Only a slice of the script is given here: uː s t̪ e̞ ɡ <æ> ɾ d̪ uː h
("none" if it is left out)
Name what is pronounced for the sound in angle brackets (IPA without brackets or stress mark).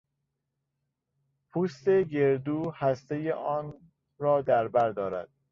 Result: e